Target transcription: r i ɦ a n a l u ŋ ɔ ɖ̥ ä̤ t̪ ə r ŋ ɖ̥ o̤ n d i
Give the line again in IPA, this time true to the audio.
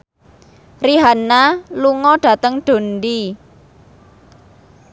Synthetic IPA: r i ɦ a n a l u ŋ ɔ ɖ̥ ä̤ t̪ ə ŋ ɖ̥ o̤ n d i